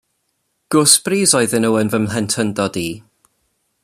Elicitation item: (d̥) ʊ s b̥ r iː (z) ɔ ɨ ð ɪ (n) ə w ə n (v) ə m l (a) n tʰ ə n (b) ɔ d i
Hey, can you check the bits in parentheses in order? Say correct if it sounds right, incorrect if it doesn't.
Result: incorrect: ɡ̥, correct, correct, correct, incorrect: ɛ, incorrect: d

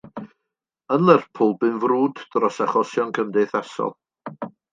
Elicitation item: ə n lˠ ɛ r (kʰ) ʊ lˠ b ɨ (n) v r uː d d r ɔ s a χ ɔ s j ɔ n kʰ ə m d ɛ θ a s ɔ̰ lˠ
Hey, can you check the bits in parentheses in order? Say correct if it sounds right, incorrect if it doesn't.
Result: incorrect: pʰ, correct

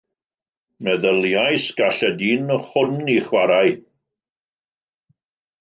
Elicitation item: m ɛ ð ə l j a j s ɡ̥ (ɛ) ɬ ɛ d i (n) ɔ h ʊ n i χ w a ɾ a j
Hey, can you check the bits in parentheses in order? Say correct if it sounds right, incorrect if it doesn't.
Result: incorrect: a, correct

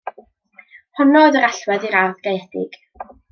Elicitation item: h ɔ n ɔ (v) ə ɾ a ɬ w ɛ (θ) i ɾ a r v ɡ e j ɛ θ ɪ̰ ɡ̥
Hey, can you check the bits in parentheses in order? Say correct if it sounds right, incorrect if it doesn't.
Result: incorrect: ð, incorrect: ð

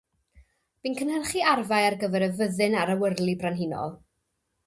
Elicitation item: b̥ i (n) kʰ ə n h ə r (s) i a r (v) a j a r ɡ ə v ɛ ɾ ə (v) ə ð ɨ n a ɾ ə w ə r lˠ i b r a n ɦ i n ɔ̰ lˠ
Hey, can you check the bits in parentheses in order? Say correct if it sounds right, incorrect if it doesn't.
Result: correct, incorrect: χ, correct, correct

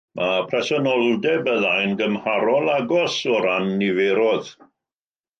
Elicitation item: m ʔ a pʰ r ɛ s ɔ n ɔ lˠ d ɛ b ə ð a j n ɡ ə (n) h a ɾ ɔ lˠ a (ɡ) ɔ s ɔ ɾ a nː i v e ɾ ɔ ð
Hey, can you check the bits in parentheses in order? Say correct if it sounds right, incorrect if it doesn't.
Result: incorrect: m, correct

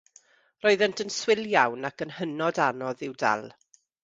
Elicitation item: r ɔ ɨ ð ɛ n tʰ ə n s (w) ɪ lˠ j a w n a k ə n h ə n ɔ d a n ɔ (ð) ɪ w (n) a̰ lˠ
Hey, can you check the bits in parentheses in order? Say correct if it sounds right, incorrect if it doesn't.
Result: correct, correct, incorrect: d

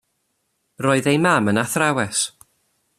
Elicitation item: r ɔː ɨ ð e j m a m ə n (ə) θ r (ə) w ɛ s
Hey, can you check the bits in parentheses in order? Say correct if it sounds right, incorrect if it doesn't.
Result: incorrect: a, incorrect: a

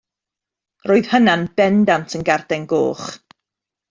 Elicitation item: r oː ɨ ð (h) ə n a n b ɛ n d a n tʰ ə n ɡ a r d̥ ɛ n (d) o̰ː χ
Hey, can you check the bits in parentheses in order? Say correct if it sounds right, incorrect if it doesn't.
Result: correct, incorrect: ɡ

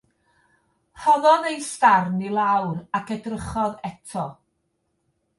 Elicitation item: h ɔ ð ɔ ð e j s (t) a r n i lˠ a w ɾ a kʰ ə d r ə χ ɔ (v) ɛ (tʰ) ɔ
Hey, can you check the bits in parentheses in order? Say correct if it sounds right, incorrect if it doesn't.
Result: correct, incorrect: ð, correct

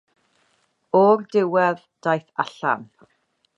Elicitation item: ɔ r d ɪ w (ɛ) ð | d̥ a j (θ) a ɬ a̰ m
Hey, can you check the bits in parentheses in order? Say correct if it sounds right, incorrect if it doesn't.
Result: correct, correct

